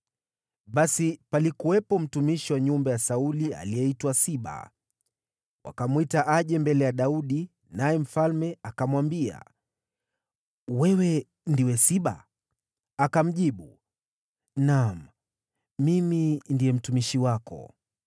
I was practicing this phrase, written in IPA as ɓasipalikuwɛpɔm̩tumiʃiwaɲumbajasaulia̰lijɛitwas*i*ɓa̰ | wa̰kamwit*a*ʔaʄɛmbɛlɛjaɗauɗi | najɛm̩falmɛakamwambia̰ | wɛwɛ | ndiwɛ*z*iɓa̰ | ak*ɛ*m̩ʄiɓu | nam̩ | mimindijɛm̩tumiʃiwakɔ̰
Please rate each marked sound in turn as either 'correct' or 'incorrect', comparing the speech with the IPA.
correct, correct, incorrect, incorrect

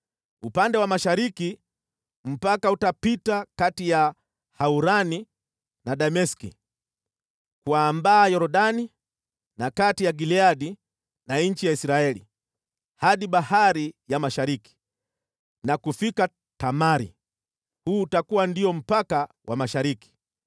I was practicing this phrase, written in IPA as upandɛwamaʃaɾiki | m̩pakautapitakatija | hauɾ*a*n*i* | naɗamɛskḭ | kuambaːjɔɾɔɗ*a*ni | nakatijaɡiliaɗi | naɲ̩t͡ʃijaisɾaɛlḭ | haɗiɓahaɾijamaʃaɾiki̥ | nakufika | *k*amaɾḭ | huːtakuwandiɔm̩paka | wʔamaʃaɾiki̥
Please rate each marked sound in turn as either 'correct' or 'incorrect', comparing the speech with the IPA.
correct, correct, correct, incorrect

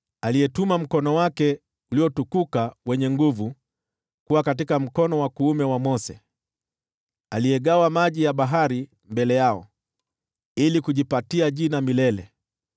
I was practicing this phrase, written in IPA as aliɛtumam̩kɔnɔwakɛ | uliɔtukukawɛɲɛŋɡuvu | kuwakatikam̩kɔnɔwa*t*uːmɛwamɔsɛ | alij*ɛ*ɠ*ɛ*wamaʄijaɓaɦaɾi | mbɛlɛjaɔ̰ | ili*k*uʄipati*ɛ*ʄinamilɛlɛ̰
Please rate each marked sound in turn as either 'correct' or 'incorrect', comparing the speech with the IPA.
incorrect, correct, incorrect, correct, incorrect

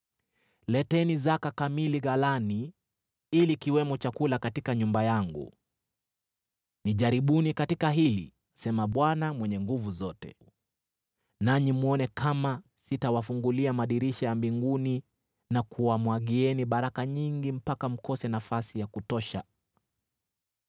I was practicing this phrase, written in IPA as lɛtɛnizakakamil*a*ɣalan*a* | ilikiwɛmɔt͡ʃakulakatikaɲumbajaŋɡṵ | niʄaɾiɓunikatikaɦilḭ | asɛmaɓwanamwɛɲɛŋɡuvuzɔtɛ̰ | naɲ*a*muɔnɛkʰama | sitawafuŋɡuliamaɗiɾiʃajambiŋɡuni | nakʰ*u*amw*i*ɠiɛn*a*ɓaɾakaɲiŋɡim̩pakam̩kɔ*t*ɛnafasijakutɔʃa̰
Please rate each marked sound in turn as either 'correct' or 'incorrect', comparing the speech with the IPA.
incorrect, incorrect, incorrect, correct, incorrect, incorrect, incorrect

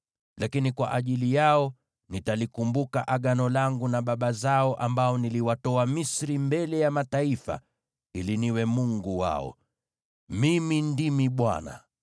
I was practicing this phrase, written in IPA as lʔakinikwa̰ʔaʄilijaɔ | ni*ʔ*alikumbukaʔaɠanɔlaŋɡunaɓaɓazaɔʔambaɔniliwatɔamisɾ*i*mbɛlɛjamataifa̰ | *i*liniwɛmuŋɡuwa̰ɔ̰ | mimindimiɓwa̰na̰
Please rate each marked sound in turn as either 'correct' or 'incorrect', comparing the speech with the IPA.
incorrect, correct, correct

